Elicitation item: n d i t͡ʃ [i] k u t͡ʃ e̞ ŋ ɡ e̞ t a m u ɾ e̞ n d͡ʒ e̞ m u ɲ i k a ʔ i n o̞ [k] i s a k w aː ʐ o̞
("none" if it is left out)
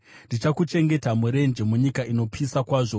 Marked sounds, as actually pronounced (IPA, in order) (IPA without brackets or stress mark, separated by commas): a, p